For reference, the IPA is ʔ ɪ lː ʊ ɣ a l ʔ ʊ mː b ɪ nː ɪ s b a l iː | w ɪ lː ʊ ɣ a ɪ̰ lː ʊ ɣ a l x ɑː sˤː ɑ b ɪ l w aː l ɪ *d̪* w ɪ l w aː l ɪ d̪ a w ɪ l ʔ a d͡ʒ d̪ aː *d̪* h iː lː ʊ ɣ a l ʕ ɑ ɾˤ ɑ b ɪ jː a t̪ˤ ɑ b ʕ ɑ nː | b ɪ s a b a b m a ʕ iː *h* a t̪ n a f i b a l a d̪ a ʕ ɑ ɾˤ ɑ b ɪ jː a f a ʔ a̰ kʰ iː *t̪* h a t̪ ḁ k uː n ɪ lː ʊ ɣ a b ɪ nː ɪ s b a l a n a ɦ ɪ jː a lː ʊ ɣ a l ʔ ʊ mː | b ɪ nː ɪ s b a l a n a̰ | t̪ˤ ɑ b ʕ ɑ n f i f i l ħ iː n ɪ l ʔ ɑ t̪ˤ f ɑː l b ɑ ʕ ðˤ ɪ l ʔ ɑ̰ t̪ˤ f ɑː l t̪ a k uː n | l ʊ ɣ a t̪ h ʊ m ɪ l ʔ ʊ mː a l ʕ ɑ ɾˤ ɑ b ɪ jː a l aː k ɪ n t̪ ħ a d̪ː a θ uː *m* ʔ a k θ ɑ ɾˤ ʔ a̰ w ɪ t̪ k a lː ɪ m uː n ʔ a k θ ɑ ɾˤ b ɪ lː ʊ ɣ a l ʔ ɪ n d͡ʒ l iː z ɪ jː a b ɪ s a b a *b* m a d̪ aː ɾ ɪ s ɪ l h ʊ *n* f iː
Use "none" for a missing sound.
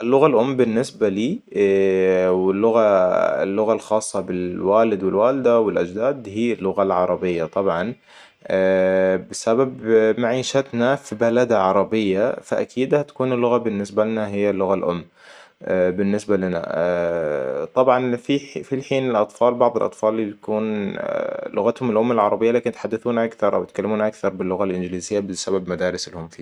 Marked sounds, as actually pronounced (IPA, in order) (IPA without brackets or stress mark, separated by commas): d̪, d̪, ʃ, d̪, n, b, m